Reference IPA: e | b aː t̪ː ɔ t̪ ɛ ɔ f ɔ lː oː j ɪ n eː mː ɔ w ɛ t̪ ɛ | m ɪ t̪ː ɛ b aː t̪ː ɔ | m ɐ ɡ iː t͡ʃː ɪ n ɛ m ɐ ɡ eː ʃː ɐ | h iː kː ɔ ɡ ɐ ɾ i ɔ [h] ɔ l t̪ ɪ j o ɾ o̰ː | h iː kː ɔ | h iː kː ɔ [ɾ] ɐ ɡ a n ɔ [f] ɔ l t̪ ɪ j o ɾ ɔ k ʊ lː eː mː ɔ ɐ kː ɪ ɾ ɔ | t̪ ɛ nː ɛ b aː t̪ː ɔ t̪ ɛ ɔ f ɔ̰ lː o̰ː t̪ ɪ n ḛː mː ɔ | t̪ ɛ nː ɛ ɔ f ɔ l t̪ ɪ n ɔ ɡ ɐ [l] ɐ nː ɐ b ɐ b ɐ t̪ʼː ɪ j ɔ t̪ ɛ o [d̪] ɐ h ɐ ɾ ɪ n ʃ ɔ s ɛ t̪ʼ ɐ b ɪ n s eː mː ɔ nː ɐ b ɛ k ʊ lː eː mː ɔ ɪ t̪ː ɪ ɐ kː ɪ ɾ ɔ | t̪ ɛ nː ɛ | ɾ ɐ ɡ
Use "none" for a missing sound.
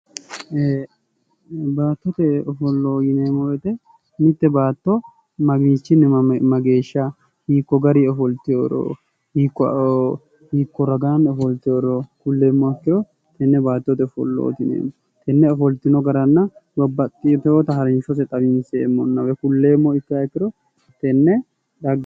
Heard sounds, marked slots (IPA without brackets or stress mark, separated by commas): f, ɾ, f, ɾ, t̪